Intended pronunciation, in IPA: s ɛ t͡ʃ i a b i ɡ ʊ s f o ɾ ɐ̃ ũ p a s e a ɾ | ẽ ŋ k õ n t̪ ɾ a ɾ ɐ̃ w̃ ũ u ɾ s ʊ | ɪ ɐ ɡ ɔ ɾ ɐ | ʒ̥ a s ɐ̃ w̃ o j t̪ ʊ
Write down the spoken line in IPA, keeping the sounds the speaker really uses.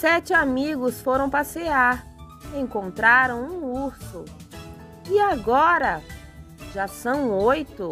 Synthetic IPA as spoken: s ɛ t͡ʃ ɪ a m i ɡ ʊ s f o ɾ ɐ̃ w̃ p a s e a ɾ | ẽ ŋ k õ n t̪ ɾ a ɾ ɐ̃ w̃ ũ u ɾ s ʊ | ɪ a ɡ ɔ ɾ ɐ | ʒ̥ a s ɐ̃ w̃ o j t̪ ʊ

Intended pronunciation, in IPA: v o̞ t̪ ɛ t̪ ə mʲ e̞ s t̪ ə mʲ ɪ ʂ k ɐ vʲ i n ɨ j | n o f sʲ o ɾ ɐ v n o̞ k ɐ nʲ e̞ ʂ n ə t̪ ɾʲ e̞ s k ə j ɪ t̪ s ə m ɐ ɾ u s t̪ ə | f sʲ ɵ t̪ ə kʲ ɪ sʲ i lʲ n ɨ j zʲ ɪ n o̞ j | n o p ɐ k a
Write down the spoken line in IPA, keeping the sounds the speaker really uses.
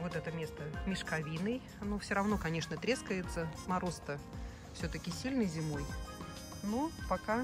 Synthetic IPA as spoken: v o̞ t̪ ɛ t̪ ə mʲ e̞ s t̪ ə mʲ ɪ ʂ k ɐ vʲ i n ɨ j | n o f sʲ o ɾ ɐ v n o̞ k ɐ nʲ e̞ ʂ n ə t̪ ɾʲ e̞ s k ə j ɪ t̪ s ə m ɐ ɾ o s t̪ ə | f sʲ ɵ t̪ ə kʲ ɪ sʲ i lʲ n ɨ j zʲ ɪ m o̞ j | n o p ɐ k a

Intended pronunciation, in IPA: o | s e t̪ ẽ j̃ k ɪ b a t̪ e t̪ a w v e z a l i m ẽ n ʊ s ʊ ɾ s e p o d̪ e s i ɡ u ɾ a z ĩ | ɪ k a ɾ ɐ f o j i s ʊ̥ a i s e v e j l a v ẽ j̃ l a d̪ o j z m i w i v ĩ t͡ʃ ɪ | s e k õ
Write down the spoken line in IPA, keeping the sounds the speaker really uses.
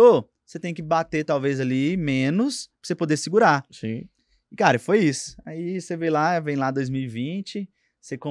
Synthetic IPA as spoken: o | s e t̪ ẽ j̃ k ɪ b a t̪ e t̪ a w v e z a l i m ẽ n ʊ s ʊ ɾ s e p o d̪ e s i ɡ u ɾ a s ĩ | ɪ k a ɾ ɐ f o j i s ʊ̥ a i s e v e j l a v ẽ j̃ l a d̪ o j z m i w i v ĩ t͡ʃ ɪ | s e k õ

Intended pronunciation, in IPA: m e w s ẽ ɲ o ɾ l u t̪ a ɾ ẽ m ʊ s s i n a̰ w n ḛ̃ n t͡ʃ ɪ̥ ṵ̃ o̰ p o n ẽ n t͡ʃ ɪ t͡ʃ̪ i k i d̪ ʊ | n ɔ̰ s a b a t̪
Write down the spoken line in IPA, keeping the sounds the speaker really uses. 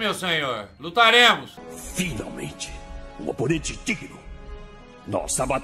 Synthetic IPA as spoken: m e w s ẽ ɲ o ɾ l u t̪ a ɾ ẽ m ʊ s f i n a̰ w m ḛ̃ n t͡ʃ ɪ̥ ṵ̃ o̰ p o n ẽ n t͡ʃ ɪ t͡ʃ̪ i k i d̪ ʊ | n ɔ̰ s a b a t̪

